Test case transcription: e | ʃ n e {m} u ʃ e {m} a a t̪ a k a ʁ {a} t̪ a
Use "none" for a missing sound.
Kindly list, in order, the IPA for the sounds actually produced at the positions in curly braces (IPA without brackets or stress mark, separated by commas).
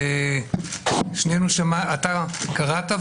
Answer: n, m, a